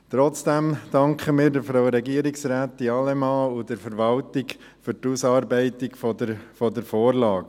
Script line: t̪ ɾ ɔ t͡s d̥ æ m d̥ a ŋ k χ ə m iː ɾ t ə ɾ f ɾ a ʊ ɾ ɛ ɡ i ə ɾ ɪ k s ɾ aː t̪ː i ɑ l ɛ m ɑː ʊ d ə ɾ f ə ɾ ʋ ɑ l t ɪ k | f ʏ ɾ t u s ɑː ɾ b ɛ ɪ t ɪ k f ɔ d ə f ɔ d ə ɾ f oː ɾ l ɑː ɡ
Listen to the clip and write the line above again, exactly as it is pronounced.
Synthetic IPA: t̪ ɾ ɔ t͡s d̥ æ m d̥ ɑ ŋ k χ ə m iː ɾ d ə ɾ f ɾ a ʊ ɾ ɛ ɡ i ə ɾ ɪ k s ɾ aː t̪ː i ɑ l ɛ m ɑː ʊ d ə ɾ f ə ɾ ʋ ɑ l t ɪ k | f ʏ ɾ t u s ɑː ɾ b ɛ ɪ t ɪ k f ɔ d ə f ɔ d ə ɾ f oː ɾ l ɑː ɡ